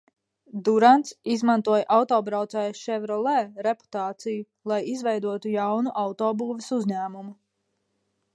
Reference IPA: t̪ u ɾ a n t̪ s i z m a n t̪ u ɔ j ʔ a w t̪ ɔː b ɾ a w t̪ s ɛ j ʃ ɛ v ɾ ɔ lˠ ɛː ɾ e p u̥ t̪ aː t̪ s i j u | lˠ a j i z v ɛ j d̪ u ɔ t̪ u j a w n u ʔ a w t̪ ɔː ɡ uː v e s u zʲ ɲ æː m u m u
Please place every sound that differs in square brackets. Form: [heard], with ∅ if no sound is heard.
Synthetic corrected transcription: [d̪] u ɾ a n t̪ s i z m a n t̪ u ɔ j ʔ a w t̪ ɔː b ɾ a w t̪ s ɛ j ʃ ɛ v ɾ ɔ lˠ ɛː ɾ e p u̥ t̪ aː t̪ s i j u | lˠ a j i z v ɛ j d̪ u ɔ t̪ u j a w n u ʔ a w t̪ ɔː [b] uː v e s u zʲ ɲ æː m u m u